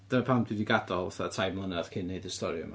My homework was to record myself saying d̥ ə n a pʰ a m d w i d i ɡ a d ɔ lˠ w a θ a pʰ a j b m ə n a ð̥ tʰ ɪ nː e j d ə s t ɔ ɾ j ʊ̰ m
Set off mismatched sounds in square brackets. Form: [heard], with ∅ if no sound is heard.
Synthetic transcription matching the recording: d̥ ə n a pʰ a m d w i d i ɡ a d ɔ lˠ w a θ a [tʰ] a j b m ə n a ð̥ [kʰ] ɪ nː e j d ə s t ɔ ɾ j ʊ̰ m